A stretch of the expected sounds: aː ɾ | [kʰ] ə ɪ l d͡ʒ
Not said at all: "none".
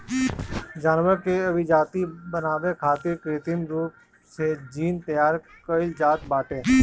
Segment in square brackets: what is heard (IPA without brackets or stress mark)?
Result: k